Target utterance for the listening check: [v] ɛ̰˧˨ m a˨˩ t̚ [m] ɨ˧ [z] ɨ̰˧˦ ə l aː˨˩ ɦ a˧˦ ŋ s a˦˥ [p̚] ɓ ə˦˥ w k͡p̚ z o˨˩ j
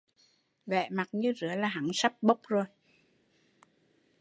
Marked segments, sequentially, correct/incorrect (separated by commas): correct, incorrect, correct, correct